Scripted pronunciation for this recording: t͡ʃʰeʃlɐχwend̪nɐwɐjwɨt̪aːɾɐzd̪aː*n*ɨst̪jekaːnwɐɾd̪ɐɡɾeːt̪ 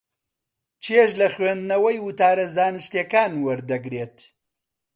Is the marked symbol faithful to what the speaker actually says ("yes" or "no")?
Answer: yes